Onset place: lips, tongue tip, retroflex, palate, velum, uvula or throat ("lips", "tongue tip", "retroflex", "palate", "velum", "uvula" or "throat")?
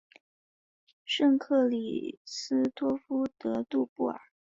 retroflex